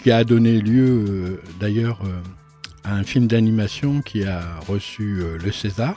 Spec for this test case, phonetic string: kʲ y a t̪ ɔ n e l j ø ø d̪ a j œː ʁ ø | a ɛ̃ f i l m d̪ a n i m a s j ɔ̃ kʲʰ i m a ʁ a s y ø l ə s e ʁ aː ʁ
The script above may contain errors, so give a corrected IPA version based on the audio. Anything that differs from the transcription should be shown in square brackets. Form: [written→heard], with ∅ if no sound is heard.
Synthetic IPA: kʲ [y→i] a [t̪→d̪] ɔ n e l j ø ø d̪ a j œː ʁ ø | a ɛ̃ f i l m d̪ a n i m a s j ɔ̃ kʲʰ i [m→∅] a ʁ [a→ə] s y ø l ə s e [ʁ→z] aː ʁ